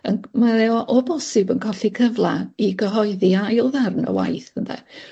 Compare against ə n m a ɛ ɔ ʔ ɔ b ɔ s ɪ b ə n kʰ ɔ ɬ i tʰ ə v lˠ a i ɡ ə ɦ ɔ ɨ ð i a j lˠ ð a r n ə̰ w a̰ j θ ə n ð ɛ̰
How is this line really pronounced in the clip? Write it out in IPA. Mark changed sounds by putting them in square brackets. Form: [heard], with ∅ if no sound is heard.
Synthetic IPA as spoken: ə n m a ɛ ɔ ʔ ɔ b ɔ s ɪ b ə n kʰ ɔ ɬ i [kʰ] ə v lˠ a i ɡ ə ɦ ɔ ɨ ð i a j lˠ ð a r n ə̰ w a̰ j θ ə n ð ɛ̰